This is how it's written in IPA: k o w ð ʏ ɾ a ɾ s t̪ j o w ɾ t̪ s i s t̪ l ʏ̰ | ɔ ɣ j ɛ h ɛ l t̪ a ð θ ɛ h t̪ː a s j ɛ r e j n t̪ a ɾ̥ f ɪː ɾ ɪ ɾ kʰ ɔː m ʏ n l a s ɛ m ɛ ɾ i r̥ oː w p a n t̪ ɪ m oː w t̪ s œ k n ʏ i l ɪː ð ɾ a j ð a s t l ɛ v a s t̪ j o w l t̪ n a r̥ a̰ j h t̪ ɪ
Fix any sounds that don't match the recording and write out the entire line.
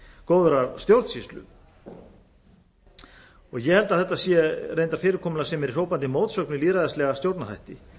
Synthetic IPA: k o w ð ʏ ɾ a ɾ s t̪ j o w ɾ t̪ s i s t̪ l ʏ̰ | ɔ ɣ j ɛ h ɛ l t̪ a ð θ ɛ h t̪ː a s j ɛ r e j n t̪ a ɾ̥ f ɪː ɾ ɪ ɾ kʰ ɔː m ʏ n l a s ɛ m ɛ ɾ i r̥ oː w p a n t̪ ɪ m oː w t̪ s œ k n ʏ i l iː ð ɾ a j ð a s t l ɛ ɣ a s t̪ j o w ɾ t̪ n a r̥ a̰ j h t̪ ɪ